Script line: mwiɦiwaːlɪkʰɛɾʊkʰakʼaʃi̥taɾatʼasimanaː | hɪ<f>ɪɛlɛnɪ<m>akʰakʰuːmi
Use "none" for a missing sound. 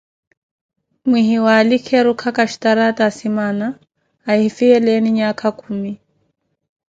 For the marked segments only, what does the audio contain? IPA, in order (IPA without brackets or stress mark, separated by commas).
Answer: f, ɲ